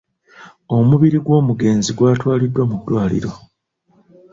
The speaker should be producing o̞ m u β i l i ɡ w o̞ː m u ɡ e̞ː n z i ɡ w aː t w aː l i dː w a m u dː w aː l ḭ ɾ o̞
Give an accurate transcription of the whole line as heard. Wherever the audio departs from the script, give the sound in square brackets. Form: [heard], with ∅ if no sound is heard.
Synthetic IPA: o̞ m u β i [ɾ] i ɡ w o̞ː m u ɡ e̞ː n z i ɡ w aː t w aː l i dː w a m u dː w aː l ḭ ɾ o̞